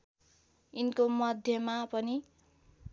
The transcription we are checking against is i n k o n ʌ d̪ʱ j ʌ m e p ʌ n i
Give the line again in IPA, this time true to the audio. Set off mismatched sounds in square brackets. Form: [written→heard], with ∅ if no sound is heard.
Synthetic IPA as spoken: i n k o [n→m] ʌ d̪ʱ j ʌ m [e→a] p ʌ n i